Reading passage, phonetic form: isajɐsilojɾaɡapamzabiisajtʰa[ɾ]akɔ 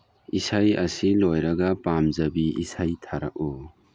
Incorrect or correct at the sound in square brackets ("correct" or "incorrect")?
correct